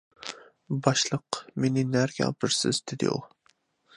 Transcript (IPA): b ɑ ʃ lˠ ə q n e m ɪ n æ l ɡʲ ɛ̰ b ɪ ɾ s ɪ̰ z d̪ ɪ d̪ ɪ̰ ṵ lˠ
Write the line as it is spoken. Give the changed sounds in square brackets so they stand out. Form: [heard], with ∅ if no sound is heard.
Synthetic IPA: b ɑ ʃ lˠ ə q [m] e [n] ɪ n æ [ɾ] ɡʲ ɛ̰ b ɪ ɾ s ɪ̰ z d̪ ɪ d̪ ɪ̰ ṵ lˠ